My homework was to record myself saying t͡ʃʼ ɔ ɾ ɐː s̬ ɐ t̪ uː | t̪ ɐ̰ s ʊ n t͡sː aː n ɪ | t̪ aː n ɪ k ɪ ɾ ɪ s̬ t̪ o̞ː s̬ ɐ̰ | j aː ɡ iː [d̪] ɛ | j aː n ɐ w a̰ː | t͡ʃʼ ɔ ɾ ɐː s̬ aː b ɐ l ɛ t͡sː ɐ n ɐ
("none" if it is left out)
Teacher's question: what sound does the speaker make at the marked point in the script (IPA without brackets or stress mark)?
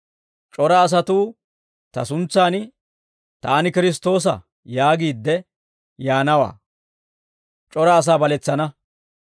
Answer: d̪ː